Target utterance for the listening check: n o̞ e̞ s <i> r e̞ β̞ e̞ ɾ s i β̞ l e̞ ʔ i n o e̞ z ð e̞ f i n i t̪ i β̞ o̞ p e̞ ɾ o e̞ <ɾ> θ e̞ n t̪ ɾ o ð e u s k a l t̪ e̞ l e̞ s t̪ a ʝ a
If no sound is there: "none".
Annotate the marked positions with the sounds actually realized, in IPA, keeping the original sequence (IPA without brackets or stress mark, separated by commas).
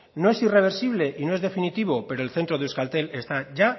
i, l